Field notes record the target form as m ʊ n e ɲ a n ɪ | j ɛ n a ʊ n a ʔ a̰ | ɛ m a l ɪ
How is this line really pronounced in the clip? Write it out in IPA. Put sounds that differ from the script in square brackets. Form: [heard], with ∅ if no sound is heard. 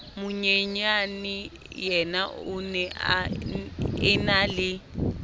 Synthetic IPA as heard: m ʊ [ɲ] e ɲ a n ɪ | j ɛ n a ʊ n [ɛ] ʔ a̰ | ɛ [n] a l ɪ